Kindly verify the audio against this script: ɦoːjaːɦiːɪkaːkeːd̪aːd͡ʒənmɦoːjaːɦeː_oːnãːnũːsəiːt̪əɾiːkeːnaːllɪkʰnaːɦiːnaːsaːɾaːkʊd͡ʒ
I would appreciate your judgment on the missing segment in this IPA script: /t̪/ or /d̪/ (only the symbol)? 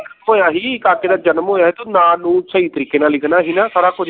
t̪